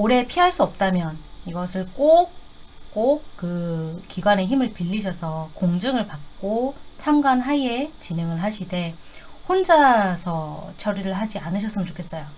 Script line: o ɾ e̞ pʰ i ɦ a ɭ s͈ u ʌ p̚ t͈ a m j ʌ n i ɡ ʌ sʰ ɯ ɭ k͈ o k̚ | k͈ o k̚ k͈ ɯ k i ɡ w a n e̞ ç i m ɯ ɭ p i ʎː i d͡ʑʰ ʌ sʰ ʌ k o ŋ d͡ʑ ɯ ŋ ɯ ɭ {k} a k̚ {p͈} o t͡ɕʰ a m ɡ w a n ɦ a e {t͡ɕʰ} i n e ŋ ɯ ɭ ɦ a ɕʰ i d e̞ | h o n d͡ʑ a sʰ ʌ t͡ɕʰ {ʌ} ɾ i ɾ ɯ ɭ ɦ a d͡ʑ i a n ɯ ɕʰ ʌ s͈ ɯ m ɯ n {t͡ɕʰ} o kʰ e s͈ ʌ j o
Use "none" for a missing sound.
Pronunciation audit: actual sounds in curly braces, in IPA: p, k͈, t͡ɕ, ʌ, t͡ɕ

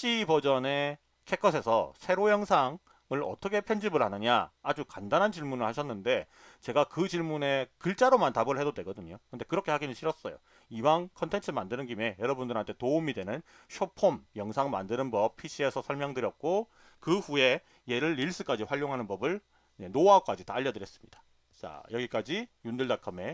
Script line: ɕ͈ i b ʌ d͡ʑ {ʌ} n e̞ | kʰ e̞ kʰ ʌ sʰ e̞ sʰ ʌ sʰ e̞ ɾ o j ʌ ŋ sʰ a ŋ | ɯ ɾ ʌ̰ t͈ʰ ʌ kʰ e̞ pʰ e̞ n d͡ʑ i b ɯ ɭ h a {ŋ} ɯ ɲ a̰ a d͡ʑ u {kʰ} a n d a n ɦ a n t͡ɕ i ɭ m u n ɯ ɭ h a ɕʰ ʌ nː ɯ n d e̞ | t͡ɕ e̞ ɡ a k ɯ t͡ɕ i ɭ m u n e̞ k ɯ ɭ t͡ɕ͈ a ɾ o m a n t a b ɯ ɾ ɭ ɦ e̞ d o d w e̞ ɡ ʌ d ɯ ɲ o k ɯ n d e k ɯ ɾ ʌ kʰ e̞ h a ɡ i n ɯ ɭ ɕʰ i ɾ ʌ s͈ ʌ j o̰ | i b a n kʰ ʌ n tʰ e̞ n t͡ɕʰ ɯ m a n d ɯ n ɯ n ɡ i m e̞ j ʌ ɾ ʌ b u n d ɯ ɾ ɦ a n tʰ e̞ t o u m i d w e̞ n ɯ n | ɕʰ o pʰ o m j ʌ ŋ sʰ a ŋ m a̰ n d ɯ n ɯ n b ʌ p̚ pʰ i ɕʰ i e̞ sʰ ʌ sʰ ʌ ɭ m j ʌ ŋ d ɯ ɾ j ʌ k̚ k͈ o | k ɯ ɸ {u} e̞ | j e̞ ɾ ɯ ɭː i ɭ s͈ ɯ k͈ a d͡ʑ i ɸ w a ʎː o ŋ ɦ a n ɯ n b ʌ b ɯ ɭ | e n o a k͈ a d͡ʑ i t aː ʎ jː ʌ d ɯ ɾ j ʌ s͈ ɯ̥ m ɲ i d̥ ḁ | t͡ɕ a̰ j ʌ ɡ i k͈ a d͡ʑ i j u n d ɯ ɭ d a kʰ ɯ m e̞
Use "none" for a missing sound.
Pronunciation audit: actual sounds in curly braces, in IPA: ʌ, n, k, u

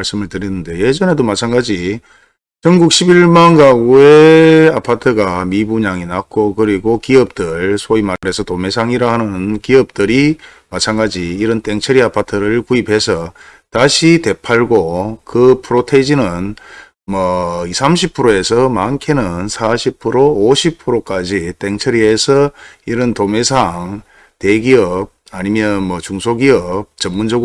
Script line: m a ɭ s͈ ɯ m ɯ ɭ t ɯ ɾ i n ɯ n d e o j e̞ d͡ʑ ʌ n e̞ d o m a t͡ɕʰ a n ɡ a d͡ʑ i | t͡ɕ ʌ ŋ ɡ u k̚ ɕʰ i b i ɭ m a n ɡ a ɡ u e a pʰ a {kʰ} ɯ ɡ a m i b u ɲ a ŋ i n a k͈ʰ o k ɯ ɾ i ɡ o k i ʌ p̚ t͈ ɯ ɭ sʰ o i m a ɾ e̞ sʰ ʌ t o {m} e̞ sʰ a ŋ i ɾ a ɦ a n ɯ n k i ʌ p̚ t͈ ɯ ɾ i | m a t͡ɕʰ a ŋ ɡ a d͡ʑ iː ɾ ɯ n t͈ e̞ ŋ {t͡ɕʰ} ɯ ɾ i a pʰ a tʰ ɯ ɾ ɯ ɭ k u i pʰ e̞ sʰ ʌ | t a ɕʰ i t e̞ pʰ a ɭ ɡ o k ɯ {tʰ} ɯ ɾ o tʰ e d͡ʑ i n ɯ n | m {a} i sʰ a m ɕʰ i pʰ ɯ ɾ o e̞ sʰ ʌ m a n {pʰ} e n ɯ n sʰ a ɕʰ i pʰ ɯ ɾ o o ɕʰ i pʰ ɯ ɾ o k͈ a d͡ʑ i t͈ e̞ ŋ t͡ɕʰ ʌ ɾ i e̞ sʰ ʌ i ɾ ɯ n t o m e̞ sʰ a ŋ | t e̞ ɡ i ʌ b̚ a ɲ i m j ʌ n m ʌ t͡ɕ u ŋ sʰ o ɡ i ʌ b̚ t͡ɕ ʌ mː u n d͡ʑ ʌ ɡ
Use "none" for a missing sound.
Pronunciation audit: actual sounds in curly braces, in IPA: tʰ, m, t͡ɕʰ, pʰ, ʌ, kʰ

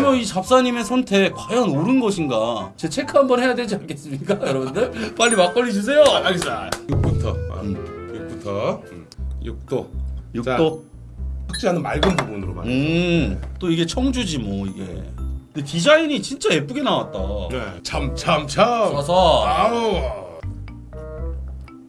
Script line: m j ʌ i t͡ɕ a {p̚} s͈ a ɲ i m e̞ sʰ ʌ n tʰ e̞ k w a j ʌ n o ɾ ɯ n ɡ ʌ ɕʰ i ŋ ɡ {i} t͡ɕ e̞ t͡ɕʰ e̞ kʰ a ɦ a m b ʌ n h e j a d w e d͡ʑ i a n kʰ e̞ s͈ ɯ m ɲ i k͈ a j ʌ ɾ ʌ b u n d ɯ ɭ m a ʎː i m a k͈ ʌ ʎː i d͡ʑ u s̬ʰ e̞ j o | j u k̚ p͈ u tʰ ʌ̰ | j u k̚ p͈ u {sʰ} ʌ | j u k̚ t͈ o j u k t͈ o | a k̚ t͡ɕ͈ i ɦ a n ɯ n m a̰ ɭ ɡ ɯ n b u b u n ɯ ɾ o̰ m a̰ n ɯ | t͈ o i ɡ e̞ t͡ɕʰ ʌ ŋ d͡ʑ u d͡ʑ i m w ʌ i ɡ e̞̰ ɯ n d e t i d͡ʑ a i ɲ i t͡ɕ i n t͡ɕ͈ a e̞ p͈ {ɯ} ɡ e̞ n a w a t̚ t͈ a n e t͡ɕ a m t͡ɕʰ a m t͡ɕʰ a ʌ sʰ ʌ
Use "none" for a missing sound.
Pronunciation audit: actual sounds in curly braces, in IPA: p̚, a, tʰ, u

